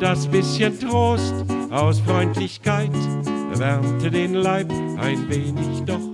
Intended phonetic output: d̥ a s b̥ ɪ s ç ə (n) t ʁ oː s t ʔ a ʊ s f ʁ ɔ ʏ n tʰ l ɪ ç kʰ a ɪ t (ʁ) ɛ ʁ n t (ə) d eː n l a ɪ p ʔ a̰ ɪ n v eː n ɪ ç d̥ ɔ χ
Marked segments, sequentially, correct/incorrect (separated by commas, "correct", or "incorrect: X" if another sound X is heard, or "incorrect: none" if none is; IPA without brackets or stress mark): correct, incorrect: v, correct